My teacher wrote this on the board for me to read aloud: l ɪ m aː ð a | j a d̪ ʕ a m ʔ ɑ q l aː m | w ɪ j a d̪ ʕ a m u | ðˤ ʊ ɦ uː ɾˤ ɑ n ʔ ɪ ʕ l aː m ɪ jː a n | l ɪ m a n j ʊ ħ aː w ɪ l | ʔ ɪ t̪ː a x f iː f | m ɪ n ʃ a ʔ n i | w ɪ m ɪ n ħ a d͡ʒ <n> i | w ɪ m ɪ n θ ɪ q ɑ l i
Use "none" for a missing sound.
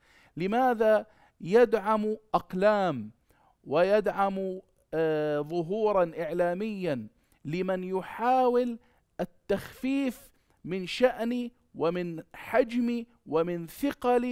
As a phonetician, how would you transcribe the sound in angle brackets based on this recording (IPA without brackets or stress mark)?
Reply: m